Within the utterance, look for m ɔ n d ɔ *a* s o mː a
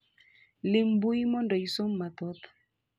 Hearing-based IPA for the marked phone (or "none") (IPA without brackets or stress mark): i